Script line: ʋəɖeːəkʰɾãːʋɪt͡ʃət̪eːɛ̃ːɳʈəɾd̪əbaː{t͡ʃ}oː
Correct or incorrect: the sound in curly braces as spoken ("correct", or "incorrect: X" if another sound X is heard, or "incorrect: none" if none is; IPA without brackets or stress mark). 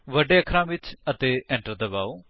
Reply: incorrect: none